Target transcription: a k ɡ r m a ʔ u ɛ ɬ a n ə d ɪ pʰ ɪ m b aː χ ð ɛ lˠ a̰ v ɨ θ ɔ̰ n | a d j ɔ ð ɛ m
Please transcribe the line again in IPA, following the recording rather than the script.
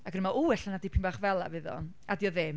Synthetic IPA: a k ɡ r m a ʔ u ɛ ɬ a n a d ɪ pʰ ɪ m b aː χ v ɛ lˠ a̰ v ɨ ð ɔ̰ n | a d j ɔ ð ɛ m